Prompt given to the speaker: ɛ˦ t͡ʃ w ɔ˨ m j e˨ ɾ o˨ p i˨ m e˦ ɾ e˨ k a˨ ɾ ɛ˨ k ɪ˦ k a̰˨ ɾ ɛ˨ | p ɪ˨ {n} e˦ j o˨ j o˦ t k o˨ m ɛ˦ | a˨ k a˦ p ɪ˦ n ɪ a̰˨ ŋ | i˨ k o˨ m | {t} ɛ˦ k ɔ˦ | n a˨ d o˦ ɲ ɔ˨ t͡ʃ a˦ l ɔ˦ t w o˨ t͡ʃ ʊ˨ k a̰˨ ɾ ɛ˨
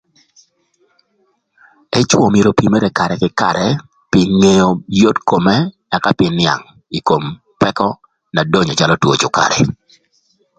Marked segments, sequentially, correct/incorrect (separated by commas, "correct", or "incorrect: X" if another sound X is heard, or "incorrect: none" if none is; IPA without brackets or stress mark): incorrect: ŋ, incorrect: p